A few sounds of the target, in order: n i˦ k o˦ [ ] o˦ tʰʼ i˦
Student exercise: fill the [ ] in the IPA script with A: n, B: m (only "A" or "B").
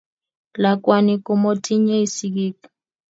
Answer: B